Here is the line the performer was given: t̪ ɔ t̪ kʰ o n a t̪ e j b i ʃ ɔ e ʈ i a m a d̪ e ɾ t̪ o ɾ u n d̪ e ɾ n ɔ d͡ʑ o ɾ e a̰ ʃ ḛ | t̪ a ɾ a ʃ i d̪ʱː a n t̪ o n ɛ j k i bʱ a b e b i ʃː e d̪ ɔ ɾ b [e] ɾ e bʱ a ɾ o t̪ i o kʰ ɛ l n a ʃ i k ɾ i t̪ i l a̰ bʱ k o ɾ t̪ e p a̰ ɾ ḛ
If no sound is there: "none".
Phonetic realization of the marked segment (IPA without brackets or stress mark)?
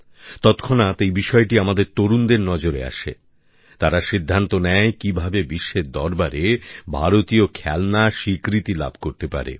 a